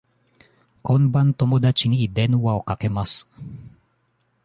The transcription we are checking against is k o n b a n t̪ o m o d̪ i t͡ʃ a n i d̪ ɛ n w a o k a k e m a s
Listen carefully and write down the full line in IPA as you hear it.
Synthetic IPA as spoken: k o n b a n t̪ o m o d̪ a t͡ʃ i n i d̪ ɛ n w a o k a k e m a s